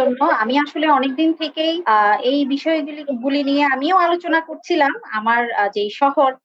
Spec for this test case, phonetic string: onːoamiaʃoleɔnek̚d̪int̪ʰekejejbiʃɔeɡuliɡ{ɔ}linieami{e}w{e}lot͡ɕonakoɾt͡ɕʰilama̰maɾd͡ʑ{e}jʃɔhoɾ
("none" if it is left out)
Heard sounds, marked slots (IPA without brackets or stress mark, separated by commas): u, e, a, e